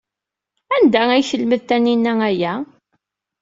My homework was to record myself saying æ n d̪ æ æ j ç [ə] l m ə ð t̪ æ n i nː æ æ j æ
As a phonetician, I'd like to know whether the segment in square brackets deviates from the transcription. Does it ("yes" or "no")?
no